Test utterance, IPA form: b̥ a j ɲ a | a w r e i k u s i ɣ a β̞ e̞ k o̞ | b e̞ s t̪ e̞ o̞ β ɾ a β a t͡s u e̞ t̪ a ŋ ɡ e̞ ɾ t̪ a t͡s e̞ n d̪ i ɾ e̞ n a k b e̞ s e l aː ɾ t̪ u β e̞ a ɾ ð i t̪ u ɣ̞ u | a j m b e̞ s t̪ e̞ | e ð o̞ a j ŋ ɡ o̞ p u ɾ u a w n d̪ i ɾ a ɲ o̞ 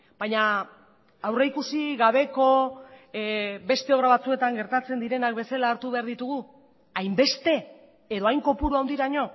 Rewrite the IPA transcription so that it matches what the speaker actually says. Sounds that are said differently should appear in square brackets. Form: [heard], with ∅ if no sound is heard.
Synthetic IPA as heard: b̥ a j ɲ a | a w r e i k u s i ɣ a β̞ e̞ k o̞ | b e̞ s t̪ e̞ o̞ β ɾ a β a t͡s u e̞ t̪ a ŋ ɡ e̞ ɾ t̪ a t͡s e̞ n d̪ i ɾ e̞ n a k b e̞ s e l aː ɾ t̪ u β e̞ a ɾ ð i t̪ u ɣ̞ u | a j m b e̞ s t̪ e̞ | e ð o̞ a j ŋ [k] o̞ p u ɾ u a w n d̪ i ɾ a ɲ o̞